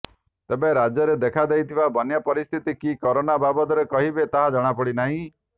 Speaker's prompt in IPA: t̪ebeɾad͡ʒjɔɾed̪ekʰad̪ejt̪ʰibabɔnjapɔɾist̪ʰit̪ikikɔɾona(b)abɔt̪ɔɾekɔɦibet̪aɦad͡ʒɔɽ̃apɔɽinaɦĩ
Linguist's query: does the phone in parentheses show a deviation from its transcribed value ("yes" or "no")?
no